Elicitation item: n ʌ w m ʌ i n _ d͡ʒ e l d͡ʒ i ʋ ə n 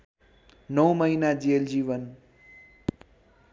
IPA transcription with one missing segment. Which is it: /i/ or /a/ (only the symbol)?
a